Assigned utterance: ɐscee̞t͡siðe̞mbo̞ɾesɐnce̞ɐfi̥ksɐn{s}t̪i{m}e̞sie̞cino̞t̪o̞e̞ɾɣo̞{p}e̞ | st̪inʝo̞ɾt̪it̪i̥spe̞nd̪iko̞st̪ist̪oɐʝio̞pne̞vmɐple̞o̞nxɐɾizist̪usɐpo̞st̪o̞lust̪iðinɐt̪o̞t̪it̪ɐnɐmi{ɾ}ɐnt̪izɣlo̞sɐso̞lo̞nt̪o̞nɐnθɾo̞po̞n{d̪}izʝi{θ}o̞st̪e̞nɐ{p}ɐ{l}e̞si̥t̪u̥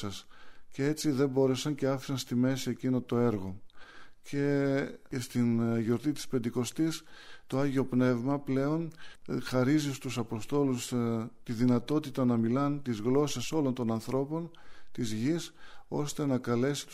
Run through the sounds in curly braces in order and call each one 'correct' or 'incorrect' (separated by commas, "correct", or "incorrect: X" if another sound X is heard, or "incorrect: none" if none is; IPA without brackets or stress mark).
correct, correct, incorrect: c, incorrect: l, incorrect: t̪, incorrect: s, incorrect: k, correct